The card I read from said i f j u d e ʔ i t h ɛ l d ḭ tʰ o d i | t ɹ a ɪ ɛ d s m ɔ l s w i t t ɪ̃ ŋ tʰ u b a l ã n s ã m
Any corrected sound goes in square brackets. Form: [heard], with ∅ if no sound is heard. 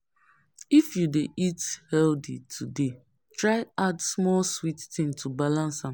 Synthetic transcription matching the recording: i f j u d e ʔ i t h ɛ l d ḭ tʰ [u] d [e] | t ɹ a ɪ [a] d s m ɔ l s w i t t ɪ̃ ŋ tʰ u b a l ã n s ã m